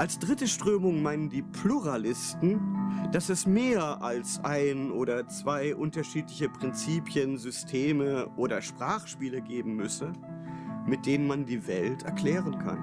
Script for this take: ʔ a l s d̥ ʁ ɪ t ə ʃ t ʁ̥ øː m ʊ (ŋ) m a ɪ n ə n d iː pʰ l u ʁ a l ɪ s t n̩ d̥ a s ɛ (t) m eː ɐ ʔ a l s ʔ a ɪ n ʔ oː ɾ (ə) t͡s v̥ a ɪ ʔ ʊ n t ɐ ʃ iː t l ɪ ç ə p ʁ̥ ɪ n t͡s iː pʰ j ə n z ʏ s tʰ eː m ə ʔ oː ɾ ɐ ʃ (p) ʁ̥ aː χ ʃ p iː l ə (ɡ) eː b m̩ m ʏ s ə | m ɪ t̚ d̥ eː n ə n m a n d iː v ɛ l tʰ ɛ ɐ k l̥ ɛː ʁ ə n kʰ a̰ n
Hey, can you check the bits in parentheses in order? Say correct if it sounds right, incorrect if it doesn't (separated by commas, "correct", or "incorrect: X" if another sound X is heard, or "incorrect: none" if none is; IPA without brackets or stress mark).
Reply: correct, incorrect: s, incorrect: ɐ, correct, correct